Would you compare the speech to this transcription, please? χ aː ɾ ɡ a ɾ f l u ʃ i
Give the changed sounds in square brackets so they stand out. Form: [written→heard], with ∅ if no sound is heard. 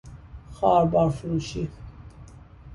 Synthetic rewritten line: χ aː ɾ [ɡ→b] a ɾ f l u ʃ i